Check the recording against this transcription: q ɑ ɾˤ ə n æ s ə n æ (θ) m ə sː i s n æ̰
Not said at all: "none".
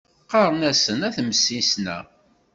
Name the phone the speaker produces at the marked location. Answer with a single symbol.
θ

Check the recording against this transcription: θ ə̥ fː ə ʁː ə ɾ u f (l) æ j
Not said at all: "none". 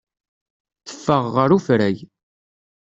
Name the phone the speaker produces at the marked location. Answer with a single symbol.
ɾ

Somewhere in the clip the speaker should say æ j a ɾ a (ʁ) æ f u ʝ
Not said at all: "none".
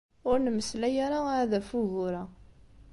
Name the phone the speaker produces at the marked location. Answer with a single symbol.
ð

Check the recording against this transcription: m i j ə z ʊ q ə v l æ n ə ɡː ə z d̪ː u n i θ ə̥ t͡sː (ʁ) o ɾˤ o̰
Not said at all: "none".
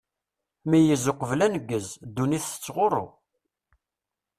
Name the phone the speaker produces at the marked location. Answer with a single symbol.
ʁ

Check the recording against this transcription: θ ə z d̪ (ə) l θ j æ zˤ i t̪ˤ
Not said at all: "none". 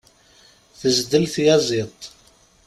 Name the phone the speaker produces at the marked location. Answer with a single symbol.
ə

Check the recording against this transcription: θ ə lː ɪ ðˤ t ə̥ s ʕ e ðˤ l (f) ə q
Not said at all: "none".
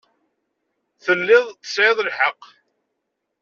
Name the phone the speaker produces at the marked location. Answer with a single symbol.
ħ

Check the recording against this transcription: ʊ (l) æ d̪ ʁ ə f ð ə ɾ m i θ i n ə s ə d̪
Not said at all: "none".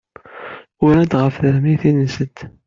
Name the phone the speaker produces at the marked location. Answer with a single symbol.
ɾ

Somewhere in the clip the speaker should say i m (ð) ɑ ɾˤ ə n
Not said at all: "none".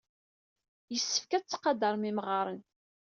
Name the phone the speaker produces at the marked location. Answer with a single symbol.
ʁ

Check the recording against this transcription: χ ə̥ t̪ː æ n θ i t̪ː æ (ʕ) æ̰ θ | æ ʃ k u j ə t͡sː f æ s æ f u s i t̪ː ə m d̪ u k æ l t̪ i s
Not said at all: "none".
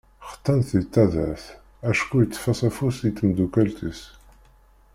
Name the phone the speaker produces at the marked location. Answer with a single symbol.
ð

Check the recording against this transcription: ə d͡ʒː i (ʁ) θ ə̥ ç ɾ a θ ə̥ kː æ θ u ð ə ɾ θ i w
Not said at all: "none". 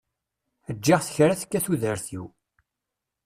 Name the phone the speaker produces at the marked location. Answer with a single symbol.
ʁ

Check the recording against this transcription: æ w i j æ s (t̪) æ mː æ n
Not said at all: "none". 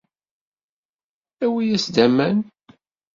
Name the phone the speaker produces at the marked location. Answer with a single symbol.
d̪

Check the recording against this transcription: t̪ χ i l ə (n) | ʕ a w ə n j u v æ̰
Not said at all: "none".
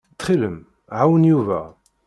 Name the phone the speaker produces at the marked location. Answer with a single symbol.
m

